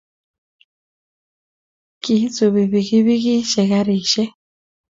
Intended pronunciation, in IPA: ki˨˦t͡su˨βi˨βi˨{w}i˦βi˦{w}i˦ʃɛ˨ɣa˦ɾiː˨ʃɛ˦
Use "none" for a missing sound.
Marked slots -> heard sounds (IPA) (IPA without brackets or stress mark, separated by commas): ɣ, ɣ